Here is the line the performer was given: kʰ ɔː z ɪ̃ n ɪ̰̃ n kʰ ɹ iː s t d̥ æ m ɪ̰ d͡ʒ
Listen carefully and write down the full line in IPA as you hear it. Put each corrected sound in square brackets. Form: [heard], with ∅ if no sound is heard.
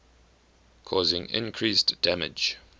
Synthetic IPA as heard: kʰ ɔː z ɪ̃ [ŋ] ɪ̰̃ n kʰ ɹ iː s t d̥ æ m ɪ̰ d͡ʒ